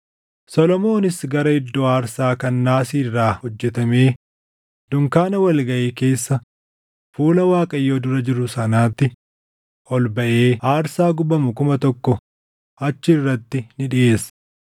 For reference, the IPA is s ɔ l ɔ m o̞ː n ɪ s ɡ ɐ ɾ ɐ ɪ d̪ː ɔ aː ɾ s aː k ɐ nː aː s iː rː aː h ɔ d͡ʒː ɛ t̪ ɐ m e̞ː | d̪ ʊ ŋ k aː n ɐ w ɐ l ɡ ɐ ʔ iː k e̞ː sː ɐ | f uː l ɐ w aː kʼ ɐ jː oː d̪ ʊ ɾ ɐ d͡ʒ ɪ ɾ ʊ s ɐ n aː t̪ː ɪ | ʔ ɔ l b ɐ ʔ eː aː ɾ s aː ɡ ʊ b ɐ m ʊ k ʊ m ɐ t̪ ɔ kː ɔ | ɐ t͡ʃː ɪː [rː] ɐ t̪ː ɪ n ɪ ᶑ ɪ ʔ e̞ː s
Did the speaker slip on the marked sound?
no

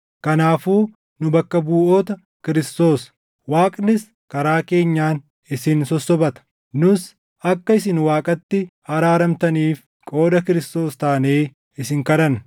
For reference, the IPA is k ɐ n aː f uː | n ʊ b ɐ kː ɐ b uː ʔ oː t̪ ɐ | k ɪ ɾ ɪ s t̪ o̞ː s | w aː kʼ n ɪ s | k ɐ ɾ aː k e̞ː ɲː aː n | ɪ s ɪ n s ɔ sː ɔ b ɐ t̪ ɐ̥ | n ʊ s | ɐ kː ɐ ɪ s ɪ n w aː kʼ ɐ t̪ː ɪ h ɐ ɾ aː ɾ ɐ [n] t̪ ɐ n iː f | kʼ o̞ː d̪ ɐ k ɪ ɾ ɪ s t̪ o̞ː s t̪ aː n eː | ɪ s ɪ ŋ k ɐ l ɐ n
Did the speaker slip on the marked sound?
yes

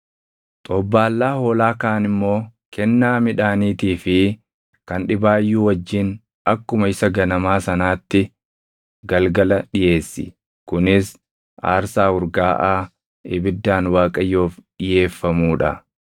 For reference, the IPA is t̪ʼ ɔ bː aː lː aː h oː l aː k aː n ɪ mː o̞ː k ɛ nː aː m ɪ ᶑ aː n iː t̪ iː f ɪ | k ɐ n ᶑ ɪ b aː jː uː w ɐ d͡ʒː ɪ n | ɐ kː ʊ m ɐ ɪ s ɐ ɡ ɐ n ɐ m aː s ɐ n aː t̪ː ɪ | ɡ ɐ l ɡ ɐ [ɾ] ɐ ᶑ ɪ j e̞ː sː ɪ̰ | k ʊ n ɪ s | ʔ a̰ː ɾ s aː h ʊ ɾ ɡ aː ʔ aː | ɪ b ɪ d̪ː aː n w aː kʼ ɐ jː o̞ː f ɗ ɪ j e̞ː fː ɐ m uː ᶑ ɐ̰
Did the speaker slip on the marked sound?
yes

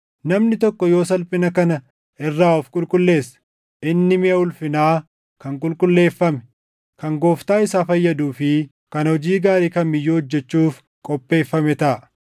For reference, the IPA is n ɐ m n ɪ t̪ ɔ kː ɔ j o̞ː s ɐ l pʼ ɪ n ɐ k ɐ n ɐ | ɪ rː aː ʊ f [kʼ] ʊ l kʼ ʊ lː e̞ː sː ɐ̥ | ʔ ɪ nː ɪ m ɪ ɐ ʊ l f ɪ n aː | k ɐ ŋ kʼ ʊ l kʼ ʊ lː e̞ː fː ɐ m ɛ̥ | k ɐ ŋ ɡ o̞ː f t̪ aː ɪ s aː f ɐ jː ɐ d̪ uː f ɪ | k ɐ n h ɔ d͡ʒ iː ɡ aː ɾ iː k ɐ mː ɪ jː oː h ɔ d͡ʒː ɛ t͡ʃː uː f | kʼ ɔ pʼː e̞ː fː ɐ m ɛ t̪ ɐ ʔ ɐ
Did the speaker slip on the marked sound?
no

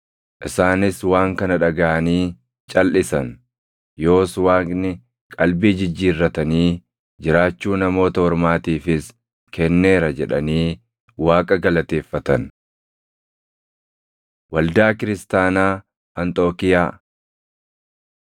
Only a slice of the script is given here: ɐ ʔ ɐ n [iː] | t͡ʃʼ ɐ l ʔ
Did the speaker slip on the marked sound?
no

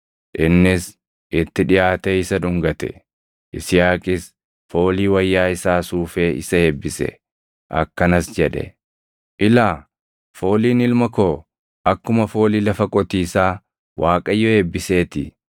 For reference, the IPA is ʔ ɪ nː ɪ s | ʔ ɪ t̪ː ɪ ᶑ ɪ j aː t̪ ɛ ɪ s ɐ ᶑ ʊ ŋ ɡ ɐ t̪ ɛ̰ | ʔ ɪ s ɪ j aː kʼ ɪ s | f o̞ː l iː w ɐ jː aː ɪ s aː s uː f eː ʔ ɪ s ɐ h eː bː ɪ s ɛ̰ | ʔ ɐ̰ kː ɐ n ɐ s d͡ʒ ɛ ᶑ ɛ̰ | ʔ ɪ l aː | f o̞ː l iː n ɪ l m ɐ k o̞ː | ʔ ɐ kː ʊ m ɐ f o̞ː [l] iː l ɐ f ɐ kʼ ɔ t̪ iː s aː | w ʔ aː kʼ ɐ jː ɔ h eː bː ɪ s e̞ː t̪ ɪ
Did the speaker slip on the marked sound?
no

